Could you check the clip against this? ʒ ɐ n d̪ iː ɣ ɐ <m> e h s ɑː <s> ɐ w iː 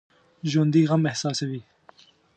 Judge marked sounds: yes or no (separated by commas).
yes, yes